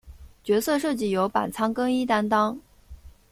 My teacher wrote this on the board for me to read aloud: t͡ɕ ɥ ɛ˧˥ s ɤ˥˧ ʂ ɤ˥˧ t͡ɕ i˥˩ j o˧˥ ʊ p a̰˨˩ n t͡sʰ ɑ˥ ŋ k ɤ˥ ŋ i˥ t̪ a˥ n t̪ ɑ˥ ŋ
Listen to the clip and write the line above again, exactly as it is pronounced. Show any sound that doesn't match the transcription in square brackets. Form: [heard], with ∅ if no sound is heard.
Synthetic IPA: t͡ɕ ɥ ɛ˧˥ s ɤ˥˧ ʂ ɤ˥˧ t͡ɕ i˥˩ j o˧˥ ʊ p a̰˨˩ n t͡sʰ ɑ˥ ŋ k ɤ˥ ŋ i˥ t̪ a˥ n t̪ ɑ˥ ŋ